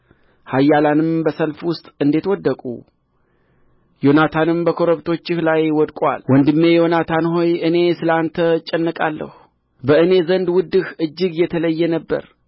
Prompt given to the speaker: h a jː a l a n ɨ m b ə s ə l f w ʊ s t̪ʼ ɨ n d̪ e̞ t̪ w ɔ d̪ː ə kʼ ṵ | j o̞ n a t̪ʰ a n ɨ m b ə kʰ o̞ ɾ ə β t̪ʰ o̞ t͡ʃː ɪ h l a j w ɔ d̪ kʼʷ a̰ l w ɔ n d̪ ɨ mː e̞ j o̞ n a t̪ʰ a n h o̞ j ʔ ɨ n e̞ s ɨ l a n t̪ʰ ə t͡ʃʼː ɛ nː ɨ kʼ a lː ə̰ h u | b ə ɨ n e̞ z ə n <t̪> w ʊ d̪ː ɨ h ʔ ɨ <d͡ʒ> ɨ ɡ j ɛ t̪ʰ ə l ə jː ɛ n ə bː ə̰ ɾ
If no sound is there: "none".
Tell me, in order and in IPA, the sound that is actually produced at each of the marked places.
d̪, d͡ʒː

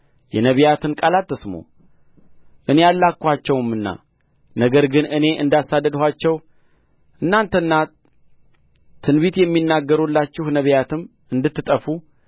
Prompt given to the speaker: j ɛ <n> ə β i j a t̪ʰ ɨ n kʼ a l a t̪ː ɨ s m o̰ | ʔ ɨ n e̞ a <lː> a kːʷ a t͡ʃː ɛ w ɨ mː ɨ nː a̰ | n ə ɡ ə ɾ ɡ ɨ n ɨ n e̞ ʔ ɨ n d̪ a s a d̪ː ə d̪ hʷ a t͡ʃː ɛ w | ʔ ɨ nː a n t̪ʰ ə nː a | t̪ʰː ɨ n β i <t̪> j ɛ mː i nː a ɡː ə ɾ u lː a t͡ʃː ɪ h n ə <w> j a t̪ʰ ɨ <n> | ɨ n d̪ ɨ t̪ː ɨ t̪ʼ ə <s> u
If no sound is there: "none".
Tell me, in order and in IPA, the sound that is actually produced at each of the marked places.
n, lː, t̪, β, m, f

